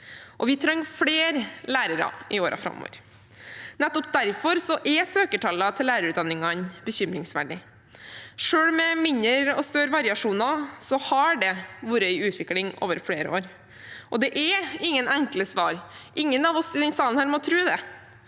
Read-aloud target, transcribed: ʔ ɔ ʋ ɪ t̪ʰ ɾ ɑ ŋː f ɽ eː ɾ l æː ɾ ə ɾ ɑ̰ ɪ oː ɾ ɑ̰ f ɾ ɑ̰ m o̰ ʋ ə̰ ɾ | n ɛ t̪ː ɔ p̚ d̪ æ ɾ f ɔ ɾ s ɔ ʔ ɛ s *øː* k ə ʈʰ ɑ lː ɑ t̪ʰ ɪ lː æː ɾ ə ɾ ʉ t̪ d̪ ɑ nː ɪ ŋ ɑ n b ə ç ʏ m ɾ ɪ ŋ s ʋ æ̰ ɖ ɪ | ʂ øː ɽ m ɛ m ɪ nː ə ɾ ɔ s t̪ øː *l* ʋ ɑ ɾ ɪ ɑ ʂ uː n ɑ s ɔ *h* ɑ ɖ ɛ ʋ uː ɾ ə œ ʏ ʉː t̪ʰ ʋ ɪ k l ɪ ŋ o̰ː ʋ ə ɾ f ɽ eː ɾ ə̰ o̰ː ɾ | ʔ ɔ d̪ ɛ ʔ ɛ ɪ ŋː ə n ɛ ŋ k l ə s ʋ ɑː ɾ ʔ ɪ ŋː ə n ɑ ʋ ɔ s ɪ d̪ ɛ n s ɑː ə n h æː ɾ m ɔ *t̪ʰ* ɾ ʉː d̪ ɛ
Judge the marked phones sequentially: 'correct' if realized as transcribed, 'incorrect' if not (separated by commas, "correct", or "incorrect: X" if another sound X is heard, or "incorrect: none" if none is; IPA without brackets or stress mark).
correct, incorrect: ɾ, correct, correct